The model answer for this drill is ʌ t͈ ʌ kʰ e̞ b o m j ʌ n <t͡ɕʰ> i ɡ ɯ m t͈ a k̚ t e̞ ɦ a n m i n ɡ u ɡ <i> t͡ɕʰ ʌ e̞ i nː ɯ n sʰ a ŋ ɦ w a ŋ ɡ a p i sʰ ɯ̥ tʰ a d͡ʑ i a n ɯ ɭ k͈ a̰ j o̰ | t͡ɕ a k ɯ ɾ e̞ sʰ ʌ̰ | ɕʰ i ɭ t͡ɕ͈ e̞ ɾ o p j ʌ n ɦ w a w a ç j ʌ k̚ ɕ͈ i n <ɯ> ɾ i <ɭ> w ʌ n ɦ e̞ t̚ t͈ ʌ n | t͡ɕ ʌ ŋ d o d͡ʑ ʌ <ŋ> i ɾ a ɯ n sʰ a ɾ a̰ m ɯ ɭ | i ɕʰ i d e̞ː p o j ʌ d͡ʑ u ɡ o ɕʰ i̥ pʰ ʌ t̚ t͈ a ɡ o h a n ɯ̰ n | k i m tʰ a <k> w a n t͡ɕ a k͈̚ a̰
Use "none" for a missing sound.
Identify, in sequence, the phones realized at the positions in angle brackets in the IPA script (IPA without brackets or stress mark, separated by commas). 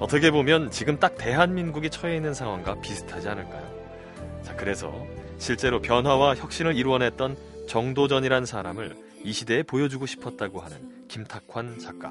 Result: t͡ɕ, i, ɯ, ɾ, ɲ, kʰ